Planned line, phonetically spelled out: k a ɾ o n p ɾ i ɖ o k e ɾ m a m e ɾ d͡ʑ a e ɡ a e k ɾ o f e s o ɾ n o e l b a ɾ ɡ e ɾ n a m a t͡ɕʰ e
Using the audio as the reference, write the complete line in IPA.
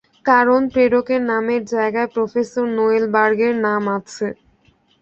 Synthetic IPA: k a ɾ o n p ɾ e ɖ o k e ɾ n a m e ɾ d͡ʑ a e ɡ a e p ɾ o f e s o ɾ n o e l b a ɾ ɡ e ɾ n a m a t͡ɕʰ e